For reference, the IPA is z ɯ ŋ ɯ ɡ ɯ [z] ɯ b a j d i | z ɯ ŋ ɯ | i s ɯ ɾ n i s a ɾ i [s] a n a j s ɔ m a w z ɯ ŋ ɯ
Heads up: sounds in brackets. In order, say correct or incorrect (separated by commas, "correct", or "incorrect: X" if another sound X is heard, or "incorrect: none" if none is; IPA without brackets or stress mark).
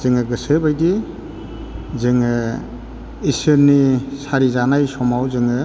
incorrect: s, incorrect: z